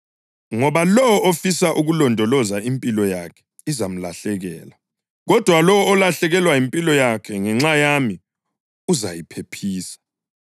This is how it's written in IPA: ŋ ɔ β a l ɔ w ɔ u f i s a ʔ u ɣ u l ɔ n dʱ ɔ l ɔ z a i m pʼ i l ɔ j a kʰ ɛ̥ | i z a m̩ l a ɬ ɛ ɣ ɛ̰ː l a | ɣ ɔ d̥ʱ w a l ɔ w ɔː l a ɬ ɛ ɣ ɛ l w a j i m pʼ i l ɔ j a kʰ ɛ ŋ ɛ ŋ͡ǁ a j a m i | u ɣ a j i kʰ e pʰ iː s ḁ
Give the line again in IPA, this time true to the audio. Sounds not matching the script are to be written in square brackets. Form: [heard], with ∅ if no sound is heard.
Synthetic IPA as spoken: ŋ ɔ β a l ɔ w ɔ [o] f i s a ʔ u ɣ u l ɔ n dʱ ɔ l ɔ z a i m pʼ i l ɔ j a kʰ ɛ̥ | i z a m̩ l a ɬ ɛ ɣ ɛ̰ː l a | ɣ ɔ d̥ʱ w a l ɔ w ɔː l a ɬ ɛ ɣ ɛ l w a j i m pʼ i l ɔ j a kʰ ɛ ŋ ɛ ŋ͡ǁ a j a m i | u [z] a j i [pʰ] e pʰ iː s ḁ